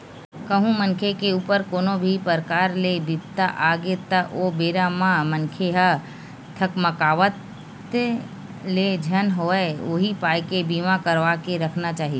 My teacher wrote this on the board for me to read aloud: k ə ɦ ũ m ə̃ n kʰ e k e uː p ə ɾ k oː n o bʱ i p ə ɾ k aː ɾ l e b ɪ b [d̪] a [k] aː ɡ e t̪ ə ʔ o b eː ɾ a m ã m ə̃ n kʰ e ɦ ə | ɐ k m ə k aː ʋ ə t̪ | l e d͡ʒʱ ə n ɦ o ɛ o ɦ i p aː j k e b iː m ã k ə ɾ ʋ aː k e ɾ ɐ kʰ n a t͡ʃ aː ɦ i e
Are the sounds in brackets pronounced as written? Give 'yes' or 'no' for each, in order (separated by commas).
no, no